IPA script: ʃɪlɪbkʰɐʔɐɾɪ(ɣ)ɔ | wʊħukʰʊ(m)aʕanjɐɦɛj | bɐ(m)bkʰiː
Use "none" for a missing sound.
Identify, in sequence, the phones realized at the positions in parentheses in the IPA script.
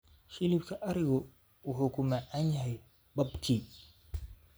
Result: ɣ, m, none

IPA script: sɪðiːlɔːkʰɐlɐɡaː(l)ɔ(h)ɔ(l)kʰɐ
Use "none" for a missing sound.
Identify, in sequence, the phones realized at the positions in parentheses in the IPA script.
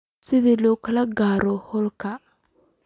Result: ɾ, h, l

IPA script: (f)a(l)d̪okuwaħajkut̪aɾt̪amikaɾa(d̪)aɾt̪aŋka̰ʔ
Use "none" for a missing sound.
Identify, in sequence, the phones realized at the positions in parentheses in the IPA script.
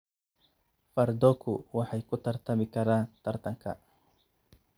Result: f, ɾ, t̪

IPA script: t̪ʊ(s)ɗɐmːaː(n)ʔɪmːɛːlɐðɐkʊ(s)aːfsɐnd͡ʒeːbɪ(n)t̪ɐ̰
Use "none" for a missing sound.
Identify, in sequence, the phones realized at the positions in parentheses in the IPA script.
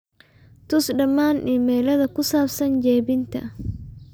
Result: s, n, s, n

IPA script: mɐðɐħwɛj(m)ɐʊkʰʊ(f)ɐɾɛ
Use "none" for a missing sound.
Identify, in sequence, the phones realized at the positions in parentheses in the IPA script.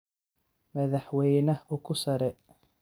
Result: n, s

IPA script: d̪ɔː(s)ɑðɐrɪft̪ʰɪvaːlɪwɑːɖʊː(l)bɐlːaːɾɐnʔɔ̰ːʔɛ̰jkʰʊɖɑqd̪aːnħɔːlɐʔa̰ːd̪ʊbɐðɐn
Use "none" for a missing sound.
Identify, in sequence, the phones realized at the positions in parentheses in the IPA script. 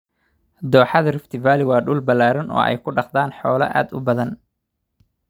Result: ħ, l

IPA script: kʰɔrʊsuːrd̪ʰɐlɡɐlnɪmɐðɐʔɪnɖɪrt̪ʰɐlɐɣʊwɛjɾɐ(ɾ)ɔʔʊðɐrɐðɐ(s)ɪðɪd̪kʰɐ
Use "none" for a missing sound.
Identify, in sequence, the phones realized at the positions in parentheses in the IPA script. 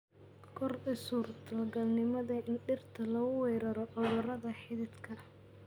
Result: ɾ, ħ

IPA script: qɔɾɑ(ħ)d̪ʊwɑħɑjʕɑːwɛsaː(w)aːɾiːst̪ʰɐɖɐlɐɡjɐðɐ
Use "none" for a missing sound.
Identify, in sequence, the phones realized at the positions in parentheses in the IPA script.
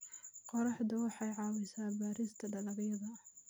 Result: ħ, b

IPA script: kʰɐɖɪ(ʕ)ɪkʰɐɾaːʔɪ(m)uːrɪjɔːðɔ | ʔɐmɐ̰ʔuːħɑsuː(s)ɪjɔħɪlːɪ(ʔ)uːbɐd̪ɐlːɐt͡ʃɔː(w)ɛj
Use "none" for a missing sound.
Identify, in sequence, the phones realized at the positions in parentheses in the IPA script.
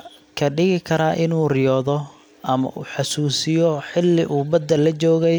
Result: ɣ, n, s, ʔ, ɣ

